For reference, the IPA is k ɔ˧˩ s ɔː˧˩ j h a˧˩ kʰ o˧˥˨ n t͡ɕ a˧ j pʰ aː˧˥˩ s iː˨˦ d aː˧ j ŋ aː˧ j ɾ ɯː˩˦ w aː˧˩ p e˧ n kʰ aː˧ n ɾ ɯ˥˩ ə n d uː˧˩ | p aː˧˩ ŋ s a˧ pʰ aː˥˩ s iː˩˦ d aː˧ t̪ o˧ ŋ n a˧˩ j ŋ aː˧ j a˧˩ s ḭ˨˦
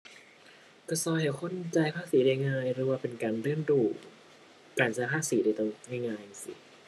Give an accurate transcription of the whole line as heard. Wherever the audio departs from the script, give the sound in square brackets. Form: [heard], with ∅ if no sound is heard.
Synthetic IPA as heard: k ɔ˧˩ s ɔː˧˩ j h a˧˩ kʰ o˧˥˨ n t͡ɕ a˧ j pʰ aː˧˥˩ s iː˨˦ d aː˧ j ŋ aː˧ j ɾ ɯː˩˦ w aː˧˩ p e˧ n [k] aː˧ n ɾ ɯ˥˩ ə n d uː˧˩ | [k] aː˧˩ [n] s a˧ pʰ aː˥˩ s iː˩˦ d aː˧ t̪ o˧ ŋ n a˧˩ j ŋ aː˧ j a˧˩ s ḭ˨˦